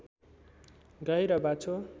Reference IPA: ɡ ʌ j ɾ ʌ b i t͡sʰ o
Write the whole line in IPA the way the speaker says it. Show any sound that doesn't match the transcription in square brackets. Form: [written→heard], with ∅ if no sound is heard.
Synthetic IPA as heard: ɡ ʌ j ɾ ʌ b [i→a] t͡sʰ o